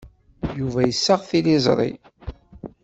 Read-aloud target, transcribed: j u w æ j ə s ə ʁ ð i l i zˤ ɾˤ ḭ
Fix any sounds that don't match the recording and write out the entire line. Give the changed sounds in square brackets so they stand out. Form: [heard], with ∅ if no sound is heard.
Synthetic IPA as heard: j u [v] æ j ə [sː] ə ʁ [θ] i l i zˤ ɾˤ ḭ